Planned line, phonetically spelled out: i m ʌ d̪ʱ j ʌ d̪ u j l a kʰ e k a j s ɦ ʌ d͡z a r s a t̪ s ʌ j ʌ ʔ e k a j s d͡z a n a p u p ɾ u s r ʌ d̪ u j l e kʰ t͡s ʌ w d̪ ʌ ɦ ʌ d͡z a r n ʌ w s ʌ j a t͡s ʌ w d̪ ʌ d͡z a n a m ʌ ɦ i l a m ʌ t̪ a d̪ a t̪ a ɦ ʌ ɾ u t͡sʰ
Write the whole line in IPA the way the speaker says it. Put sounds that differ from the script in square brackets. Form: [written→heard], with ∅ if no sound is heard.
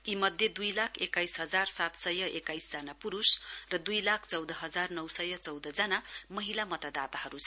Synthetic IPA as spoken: i m ʌ d̪ʱ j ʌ d̪ u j l a kʰ e k a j s ɦ ʌ d͡z a r s a t̪ s ʌ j ʌ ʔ e k a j s d͡z a n a p u [p→∅] ɾ u s r ʌ d̪ u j l [e→a] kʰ t͡s ʌ w d̪ ʌ ɦ ʌ d͡z a r n ʌ w s ʌ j [a→ʌ] t͡s ʌ w d̪ ʌ d͡z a n a m ʌ ɦ i l a m ʌ t̪ a d̪ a t̪ a ɦ ʌ ɾ u t͡sʰ

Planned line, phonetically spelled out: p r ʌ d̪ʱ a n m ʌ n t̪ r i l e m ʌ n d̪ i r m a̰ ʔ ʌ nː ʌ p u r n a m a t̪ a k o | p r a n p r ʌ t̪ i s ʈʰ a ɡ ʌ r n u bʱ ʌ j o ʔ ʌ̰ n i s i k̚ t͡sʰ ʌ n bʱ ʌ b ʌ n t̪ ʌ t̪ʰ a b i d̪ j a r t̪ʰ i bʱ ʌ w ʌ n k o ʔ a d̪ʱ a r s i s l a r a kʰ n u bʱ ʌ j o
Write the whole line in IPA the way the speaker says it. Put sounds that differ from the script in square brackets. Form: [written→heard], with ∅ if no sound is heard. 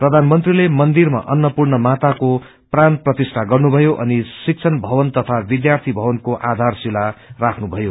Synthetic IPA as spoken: p r ʌ d̪ʱ a n m ʌ n t̪ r i l e m ʌ n d̪ i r m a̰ ʔ ʌ nː ʌ p u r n [a→ʌ] m a t̪ a k o | p r a n p r ʌ t̪ i s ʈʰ a ɡ ʌ r n u bʱ ʌ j o ʔ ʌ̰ n i s i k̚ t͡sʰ ʌ n bʱ ʌ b ʌ n t̪ ʌ t̪ʰ a b i d̪ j a r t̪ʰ i bʱ ʌ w ʌ n k o ʔ a d̪ʱ a r s i [s→∅] l a r a kʰ n u bʱ ʌ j o

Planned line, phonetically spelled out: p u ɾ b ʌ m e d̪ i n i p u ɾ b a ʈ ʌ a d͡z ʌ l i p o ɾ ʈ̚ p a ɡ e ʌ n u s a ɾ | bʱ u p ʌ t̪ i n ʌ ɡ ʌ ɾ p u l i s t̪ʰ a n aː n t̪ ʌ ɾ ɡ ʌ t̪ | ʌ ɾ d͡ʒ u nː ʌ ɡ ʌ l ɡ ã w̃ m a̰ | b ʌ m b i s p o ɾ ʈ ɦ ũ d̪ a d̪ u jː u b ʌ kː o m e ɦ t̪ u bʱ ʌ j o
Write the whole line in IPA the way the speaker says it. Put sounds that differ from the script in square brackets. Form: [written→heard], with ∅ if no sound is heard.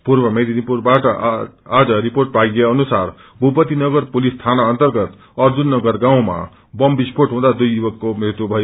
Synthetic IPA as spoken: p u ɾ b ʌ m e d̪ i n i p u ɾ b a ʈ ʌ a d͡z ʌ [l→ɾ] i p o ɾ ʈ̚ p a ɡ e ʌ n u s a ɾ | bʱ u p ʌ t̪ i n ʌ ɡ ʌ ɾ p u l i s t̪ʰ a n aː n t̪ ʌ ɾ ɡ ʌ t̪ | ʌ ɾ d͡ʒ u nː ʌ ɡ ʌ [l→ɾ] ɡ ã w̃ m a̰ | b ʌ m b i s p o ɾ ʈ ɦ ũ d̪ a d̪ u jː u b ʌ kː o m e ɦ t̪ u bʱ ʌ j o

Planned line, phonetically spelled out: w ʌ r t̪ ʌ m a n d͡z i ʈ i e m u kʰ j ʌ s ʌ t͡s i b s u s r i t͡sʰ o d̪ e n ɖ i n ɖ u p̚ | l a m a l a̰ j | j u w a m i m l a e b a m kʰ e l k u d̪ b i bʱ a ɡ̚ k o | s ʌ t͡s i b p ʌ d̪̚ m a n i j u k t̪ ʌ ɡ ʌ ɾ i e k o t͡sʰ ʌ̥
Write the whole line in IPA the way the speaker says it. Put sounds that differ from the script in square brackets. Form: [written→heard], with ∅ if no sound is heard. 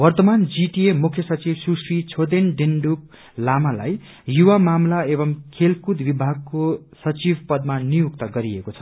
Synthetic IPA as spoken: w ʌ r t̪ ʌ m a n d͡z i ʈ i e m u kʰ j ʌ s ʌ t͡s i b s u s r i t͡sʰ o d̪ e n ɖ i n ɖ u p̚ | l a m a l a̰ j | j u w a m [i→a] m l a e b [a→ʌ] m kʰ e l k u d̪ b i bʱ a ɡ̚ k o | s ʌ t͡s i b p ʌ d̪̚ m a n i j u k t̪ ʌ ɡ ʌ ɾ i e k o t͡sʰ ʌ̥

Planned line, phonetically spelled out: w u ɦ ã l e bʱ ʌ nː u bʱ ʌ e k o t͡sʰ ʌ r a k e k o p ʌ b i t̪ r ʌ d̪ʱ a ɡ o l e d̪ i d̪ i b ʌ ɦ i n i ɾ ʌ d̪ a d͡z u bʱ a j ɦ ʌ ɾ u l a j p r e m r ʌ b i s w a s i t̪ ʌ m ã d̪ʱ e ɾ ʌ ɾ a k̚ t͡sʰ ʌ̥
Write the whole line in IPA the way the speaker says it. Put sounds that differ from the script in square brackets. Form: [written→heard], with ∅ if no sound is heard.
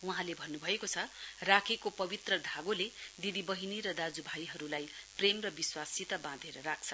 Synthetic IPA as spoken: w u ɦ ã l e bʱ ʌ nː u bʱ ʌ e k o t͡sʰ ʌ r a [k→kʰ] e k o p ʌ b i t̪ r ʌ d̪ʱ a ɡ o l e d̪ i d̪ i b ʌ ɦ i n i ɾ ʌ d̪ a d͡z u bʱ a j ɦ ʌ ɾ u l a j p r e m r ʌ b i s w a s i t̪ ʌ [m→b] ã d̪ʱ e ɾ ʌ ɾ a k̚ t͡sʰ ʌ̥

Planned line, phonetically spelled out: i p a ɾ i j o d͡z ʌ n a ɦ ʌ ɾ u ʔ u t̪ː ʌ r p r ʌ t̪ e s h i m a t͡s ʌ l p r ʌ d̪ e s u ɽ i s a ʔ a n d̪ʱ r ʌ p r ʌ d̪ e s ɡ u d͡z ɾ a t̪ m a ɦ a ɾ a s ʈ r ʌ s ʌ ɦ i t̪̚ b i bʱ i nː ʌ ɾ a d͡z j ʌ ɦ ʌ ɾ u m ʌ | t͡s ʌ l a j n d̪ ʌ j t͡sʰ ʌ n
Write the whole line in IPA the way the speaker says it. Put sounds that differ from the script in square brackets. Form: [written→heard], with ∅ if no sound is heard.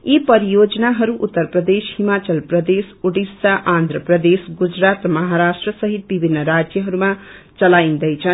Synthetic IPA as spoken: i p [a→ʌ] ɾ i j o d͡z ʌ n a ɦ ʌ ɾ u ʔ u t̪ː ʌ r p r ʌ [t̪→d̪] e s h i m a t͡s ʌ l p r ʌ d̪ e s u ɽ i s a ʔ a n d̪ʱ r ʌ p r ʌ d̪ e s ɡ u d͡z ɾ a t̪ m [a→ʌ] ɦ a ɾ a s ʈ r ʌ s ʌ ɦ i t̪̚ b i bʱ i nː ʌ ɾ a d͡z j ʌ ɦ ʌ ɾ u m [ʌ→a] | t͡s ʌ l a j n d̪ ʌ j t͡sʰ ʌ n

